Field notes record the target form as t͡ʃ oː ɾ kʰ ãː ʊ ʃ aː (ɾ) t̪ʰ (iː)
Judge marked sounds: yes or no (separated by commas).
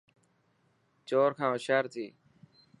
yes, yes